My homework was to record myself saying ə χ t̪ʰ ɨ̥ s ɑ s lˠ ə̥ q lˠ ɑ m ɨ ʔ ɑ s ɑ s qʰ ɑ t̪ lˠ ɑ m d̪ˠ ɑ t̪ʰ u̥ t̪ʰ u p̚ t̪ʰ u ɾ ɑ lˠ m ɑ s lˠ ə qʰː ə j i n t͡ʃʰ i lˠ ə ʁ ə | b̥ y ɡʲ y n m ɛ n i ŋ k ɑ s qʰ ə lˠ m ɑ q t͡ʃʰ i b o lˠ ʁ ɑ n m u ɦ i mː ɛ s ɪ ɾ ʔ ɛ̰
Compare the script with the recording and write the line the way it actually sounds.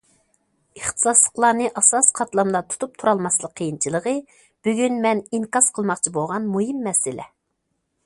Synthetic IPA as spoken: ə χ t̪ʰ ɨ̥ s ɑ s lˠ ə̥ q lˠ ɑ n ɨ ʔ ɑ s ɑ s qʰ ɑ t̪ lˠ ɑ m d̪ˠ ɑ t̪ʰ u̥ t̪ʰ u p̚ t̪ʰ u ɾ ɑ lˠ m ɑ s lˠ ə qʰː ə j i n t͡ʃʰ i lˠ ə ʁ ə | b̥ y ɡʲ y n m ɛ n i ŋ k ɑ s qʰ ə lˠ m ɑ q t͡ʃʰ i b o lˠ ʁ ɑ n m u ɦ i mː ɛ s ɪ l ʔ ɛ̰